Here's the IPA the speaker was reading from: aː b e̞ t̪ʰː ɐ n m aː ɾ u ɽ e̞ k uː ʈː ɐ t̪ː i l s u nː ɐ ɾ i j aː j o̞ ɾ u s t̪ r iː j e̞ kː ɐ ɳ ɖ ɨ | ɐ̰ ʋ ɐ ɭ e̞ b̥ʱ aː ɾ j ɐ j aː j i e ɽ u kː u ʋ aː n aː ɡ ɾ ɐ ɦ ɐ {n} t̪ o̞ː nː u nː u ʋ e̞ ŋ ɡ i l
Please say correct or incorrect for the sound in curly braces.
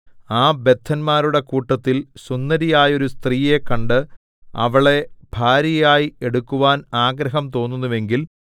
incorrect